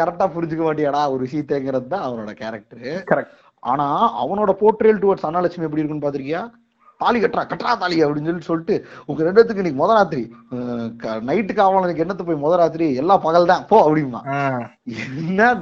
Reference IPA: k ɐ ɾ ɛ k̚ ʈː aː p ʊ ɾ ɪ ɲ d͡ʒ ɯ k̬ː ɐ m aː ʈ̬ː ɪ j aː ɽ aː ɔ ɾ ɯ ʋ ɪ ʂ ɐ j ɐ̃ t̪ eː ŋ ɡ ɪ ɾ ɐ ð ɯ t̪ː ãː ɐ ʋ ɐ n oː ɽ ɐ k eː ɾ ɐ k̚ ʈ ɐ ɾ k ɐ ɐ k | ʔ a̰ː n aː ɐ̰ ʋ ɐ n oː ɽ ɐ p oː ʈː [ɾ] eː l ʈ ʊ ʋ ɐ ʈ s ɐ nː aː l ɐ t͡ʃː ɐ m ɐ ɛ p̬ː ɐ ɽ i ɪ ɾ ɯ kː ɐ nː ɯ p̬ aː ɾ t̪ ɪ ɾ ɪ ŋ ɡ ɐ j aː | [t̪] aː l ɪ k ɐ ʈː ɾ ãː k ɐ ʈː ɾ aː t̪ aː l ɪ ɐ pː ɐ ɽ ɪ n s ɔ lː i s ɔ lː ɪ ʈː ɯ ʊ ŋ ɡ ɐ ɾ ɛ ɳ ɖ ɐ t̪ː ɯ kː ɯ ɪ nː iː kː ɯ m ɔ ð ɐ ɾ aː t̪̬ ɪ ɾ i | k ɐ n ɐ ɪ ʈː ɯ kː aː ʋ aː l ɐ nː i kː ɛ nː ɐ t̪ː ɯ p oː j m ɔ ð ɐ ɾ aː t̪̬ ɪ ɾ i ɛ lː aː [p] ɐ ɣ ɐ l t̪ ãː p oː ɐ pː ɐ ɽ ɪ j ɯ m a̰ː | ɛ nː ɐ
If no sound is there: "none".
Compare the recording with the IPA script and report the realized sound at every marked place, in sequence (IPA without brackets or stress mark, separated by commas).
ɾ, t̪, p